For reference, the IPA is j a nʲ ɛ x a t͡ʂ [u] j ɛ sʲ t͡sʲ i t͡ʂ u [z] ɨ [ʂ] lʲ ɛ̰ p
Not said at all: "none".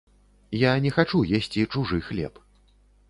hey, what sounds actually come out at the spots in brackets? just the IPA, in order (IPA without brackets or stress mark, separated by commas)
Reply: u, ʐ, x